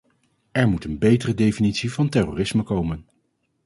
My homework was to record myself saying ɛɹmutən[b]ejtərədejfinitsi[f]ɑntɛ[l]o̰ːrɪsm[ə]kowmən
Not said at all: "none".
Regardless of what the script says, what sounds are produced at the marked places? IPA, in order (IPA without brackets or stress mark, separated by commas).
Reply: b, v, r, ə